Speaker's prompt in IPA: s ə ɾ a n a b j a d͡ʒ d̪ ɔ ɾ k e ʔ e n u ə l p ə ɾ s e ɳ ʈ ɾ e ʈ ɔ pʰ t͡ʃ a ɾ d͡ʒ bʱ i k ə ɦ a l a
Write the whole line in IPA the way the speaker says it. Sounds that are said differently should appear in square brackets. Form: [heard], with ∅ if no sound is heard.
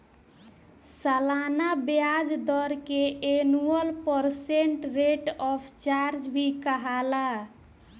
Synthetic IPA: s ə [l] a n a b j a d͡ʒ d̪ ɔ ɾ k e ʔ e n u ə l p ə ɾ s e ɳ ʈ ɾ e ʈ ɔ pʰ t͡ʃ a ɾ d͡ʒ bʱ i k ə ɦ a l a